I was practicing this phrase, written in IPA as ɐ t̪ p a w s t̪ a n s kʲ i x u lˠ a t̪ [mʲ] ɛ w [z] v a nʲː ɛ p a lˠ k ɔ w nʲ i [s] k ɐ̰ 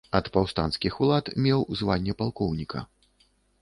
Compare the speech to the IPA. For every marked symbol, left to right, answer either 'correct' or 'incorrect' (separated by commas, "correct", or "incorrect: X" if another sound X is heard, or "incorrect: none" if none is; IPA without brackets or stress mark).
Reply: correct, correct, incorrect: none